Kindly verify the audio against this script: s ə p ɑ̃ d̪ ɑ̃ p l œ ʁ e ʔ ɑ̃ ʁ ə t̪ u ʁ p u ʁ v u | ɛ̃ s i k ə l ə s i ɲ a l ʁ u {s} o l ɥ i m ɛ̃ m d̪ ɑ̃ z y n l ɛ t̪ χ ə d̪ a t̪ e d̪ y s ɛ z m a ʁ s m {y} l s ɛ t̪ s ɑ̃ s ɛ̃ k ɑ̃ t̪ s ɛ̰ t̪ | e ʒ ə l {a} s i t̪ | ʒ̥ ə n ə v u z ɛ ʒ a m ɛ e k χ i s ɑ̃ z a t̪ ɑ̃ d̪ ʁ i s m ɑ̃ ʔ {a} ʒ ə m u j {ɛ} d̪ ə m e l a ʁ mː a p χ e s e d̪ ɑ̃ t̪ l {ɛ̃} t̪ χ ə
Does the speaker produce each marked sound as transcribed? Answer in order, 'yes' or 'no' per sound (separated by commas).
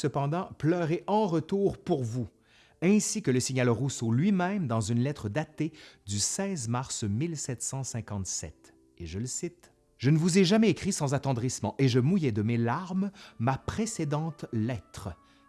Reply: yes, no, no, no, yes, no